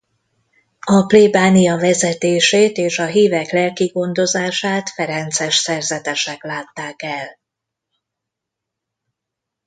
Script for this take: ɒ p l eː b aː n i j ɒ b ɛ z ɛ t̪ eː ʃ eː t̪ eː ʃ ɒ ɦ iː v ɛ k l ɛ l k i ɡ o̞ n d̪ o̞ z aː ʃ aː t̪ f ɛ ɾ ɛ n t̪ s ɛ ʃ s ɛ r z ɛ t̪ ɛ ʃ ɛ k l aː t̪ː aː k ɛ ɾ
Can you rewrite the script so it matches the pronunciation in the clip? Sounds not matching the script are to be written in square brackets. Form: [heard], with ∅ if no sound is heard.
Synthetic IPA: ɒ p l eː b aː n i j ɒ [v] ɛ z ɛ t̪ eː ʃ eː t̪ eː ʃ ɒ ɦ iː v ɛ k l ɛ l k i ɡ o̞ n d̪ o̞ z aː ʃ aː t̪ f ɛ ɾ ɛ n t̪ s ɛ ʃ s ɛ r z ɛ t̪ ɛ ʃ ɛ k l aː t̪ː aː k ɛ [l]